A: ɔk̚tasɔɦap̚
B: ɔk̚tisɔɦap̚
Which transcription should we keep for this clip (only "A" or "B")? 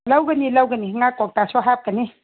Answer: A